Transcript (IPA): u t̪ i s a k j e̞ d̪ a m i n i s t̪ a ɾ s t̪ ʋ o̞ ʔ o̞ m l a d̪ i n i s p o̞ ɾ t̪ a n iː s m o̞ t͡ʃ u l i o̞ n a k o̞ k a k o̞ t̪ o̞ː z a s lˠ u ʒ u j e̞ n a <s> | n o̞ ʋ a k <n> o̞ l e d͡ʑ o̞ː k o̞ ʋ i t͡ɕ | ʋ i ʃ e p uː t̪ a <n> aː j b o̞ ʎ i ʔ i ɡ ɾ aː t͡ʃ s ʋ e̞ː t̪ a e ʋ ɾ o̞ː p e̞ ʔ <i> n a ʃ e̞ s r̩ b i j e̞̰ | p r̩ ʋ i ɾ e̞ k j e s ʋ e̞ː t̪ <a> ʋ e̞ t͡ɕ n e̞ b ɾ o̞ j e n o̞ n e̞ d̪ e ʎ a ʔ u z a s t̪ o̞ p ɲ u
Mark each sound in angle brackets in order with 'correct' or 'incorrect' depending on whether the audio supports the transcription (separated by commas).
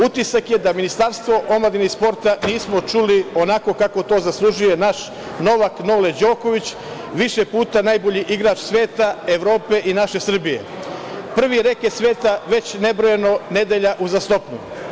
incorrect, correct, correct, correct, correct